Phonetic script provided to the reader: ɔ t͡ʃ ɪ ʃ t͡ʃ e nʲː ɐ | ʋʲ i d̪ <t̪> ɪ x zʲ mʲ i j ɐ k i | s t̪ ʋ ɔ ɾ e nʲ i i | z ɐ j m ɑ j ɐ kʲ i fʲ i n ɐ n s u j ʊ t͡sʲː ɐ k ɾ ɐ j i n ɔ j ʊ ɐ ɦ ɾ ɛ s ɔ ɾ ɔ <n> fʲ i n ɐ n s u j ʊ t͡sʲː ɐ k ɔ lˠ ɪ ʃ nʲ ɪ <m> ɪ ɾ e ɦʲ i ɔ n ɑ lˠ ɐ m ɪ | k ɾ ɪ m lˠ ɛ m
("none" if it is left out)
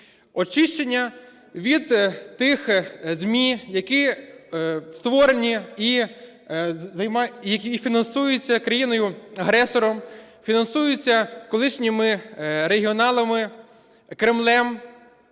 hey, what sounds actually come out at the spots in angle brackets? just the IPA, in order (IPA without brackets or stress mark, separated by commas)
t̪, m, m